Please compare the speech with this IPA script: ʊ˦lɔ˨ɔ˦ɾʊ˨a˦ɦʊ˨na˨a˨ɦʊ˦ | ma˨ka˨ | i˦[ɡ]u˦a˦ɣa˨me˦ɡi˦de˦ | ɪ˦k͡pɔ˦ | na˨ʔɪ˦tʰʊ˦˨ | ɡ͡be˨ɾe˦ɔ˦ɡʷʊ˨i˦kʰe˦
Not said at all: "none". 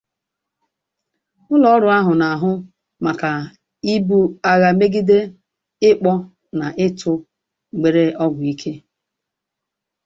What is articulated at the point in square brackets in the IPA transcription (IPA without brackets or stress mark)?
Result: b